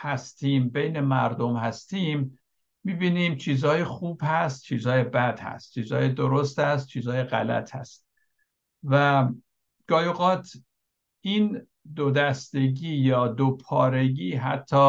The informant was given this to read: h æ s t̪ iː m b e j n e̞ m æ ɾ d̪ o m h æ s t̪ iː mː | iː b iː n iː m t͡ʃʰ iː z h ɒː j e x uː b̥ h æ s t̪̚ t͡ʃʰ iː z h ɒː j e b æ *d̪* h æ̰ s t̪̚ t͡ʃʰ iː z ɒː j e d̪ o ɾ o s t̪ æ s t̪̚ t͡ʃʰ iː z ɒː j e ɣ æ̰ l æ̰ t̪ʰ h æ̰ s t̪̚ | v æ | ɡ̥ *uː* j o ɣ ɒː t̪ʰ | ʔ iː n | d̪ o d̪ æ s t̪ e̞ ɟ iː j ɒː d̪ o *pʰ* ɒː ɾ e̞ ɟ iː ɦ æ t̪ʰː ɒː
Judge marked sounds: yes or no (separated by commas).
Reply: yes, no, yes